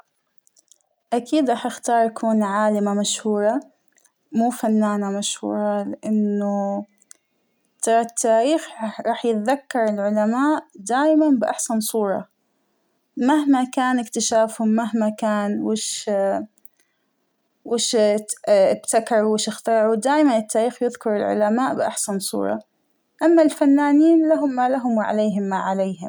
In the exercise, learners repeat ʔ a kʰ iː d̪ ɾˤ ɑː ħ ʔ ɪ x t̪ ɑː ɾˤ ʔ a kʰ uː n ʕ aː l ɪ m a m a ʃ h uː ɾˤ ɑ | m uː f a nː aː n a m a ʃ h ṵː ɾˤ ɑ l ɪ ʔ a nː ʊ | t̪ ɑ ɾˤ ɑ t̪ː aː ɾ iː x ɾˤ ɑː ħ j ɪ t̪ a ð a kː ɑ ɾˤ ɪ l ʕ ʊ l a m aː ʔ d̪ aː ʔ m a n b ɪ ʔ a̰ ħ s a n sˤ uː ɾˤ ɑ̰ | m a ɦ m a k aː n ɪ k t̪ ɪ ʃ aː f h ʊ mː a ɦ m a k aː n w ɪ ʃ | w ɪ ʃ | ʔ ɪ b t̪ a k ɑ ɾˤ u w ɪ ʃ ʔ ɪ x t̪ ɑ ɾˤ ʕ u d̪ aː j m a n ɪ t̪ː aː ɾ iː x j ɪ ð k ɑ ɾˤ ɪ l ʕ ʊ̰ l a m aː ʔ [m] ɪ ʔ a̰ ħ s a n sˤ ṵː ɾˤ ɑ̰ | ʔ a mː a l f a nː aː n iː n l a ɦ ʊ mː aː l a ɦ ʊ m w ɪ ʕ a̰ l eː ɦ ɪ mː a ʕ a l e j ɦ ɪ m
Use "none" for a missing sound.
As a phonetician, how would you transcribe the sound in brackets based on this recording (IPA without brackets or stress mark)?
b